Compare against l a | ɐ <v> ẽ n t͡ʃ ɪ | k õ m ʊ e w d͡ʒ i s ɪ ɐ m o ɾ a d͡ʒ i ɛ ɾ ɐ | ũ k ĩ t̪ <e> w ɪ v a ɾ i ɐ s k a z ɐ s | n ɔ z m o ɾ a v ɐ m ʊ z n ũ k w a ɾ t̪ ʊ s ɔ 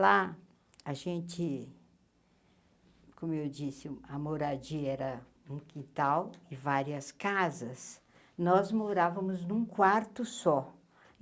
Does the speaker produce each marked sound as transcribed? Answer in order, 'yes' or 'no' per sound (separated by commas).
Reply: no, no